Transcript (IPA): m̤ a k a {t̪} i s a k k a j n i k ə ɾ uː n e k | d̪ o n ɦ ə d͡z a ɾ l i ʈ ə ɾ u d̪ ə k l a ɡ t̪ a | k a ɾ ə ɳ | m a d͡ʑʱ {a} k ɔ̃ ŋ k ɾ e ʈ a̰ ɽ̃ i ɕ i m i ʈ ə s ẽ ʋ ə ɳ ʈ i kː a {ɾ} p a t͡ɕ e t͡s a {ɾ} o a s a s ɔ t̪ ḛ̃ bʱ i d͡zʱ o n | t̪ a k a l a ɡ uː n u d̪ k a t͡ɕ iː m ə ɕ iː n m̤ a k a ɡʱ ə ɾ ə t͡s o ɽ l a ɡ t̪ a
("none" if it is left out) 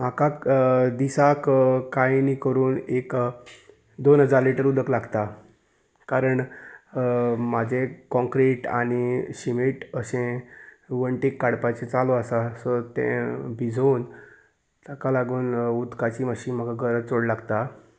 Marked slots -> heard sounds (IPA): d̪, e, ɽ, l

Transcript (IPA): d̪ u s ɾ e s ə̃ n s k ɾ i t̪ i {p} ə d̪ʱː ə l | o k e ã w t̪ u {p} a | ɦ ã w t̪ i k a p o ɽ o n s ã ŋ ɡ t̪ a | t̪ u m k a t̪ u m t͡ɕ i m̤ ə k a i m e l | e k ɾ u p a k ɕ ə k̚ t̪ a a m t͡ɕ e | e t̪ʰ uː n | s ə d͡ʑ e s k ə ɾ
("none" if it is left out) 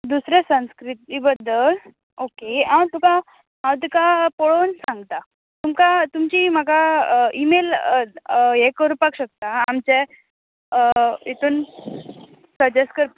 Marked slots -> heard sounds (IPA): b, k

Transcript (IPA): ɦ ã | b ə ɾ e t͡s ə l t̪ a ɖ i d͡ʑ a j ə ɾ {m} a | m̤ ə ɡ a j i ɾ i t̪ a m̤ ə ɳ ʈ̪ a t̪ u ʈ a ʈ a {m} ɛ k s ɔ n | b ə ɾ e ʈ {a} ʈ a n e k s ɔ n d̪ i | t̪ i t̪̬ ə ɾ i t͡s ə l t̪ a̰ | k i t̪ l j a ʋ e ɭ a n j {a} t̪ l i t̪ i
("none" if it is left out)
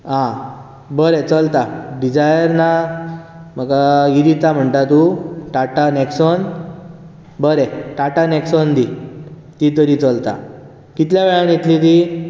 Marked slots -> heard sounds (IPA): n, n, a, e

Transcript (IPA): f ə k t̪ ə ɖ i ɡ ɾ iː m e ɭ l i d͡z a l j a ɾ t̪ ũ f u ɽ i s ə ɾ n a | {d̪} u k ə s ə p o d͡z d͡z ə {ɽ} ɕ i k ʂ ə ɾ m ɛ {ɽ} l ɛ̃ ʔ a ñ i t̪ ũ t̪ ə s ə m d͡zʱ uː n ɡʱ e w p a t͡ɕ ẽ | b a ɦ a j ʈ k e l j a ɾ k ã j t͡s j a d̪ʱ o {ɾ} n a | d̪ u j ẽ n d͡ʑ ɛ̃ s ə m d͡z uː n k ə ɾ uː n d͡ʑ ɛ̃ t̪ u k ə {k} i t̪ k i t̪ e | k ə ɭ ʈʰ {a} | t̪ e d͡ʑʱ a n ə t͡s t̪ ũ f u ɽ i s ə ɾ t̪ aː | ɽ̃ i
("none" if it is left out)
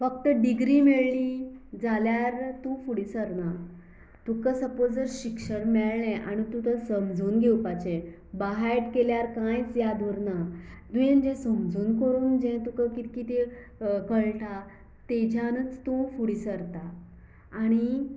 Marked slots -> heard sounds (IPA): t̪, ɾ, ɭ, ɾ, k, a

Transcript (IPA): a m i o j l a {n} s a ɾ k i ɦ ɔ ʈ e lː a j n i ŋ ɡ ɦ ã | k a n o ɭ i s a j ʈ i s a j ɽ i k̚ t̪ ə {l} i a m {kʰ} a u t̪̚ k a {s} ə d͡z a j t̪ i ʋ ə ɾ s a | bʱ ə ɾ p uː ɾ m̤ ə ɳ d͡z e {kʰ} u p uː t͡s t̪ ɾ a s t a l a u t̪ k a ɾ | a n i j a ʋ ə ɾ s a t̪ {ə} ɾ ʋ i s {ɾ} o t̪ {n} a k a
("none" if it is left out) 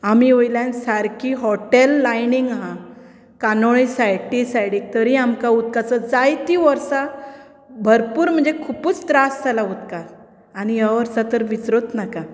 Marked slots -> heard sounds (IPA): n, ɾ, k, t͡s, kʰ, ə, ɾ, n

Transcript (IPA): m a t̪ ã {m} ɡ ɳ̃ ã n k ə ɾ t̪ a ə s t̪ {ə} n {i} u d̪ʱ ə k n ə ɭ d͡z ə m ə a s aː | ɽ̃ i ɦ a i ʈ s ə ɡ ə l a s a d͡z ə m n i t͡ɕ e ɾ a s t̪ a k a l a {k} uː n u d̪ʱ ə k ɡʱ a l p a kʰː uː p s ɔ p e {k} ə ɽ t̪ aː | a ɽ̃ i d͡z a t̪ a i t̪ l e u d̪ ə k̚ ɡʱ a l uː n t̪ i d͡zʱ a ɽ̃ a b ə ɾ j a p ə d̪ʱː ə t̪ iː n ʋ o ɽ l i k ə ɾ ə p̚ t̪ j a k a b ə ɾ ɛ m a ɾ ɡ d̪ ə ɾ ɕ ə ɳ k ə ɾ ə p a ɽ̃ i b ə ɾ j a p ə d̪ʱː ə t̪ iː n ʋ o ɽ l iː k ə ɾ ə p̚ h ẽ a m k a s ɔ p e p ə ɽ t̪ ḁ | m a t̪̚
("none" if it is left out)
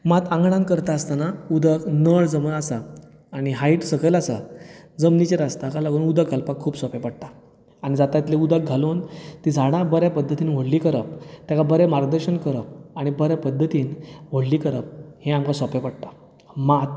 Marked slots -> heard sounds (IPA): ŋ, a, a, ɡ, p

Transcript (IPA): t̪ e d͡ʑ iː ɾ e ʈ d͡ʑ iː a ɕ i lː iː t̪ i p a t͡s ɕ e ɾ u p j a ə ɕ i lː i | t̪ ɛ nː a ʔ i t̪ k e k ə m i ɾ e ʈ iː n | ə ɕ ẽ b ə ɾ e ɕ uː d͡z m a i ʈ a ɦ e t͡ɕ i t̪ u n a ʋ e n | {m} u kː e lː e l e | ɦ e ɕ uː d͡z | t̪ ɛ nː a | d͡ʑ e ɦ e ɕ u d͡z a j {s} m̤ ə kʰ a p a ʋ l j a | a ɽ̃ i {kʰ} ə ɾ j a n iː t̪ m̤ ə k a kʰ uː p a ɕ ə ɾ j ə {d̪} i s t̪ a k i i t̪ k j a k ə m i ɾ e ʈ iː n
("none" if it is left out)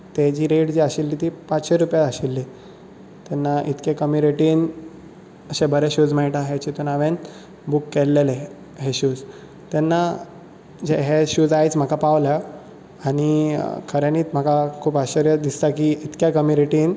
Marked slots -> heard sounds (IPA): b, t͡s, kʰ, d̪

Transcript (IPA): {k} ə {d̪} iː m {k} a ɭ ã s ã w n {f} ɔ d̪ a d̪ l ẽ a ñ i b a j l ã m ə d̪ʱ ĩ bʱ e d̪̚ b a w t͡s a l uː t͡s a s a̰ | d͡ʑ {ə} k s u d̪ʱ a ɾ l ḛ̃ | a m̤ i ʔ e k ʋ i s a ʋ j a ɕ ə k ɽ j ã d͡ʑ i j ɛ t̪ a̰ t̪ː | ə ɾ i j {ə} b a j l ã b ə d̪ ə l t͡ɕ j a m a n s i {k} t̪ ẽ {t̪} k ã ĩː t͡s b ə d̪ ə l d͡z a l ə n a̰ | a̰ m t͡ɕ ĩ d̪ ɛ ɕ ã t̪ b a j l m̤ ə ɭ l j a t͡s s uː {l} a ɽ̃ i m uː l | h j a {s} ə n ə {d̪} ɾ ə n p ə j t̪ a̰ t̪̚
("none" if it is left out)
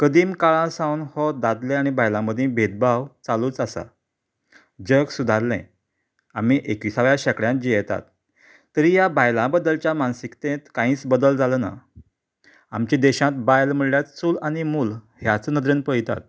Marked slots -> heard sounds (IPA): k, d̪, k, h, ə, a, k, t̪, l, t͡s, d̪

